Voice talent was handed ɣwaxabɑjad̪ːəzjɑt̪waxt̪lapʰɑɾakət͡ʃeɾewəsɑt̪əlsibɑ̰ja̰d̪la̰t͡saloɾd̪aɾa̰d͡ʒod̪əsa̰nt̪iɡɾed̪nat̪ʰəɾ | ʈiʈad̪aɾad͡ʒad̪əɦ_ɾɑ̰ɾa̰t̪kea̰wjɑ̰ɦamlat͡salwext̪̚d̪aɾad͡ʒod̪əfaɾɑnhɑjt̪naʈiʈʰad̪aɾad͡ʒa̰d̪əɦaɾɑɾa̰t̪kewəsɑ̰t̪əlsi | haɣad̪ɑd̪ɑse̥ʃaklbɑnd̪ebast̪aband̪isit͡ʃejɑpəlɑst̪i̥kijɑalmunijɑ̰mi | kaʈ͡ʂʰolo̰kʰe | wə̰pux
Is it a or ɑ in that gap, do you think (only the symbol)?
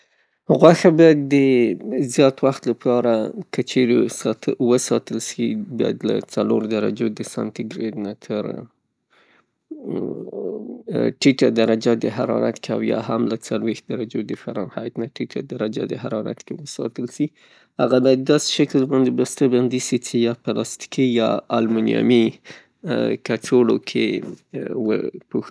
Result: a